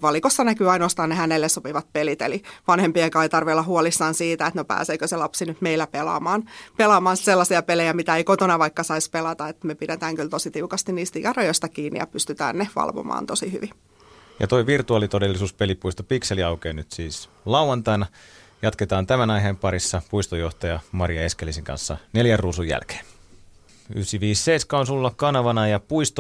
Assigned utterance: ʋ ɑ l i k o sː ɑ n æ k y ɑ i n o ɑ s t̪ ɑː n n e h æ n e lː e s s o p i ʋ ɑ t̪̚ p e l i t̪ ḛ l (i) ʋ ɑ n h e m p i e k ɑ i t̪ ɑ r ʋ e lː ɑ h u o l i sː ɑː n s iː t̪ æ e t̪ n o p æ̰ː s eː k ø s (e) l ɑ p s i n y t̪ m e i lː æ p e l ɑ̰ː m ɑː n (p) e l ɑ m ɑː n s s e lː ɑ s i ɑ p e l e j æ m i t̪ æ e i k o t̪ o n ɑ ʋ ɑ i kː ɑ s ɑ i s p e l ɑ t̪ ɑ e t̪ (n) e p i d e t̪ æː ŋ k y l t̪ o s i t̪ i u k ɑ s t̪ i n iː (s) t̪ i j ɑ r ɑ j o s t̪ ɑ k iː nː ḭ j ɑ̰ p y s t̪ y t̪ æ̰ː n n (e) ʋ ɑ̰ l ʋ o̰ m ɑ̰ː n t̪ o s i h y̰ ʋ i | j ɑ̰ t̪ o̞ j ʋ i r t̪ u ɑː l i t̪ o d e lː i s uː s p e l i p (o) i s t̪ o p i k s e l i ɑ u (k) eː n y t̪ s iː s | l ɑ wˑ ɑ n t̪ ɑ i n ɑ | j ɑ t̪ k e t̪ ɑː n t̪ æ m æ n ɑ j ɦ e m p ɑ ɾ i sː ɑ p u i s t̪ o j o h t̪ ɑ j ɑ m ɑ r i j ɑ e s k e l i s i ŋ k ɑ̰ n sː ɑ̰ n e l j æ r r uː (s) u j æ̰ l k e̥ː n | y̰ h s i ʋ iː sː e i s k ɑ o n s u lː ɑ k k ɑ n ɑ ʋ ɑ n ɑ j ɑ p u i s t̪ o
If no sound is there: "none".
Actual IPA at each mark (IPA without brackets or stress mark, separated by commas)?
i, e, p, m, s, e, u, k, s